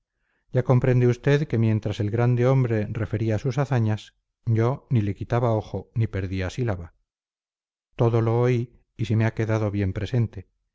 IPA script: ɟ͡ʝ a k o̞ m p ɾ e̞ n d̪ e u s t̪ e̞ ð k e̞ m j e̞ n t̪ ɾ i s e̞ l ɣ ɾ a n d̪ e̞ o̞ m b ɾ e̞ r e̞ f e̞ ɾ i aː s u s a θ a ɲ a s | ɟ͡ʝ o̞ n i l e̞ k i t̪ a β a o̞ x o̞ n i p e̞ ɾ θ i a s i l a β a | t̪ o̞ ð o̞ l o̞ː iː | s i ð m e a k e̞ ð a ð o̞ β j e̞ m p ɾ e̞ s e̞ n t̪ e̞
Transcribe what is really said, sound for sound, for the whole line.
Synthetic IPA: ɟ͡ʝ a k o̞ m p ɾ e̞ n d̪ e u s t̪ e̞ ð k e̞ m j e̞ n t̪ ɾ a s e̞ l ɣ ɾ a n d̪ e̞ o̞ m b ɾ e̞ r e̞ f e̞ ɾ i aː s u s a θ a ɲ a s | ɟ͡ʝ o̞ n i l e̞ k i t̪ a β a o̞ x o̞ n i p e̞ ɾ ð i a s i l a β a | t̪ o̞ ð o̞ l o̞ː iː | s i m e a k e̞ ð a ð o̞ β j e̞ m p ɾ e̞ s e̞ n t̪ e̞